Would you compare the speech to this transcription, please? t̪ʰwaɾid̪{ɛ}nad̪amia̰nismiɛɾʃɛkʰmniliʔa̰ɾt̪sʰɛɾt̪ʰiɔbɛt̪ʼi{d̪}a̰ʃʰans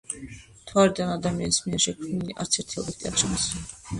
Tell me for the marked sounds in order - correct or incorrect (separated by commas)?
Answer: incorrect, incorrect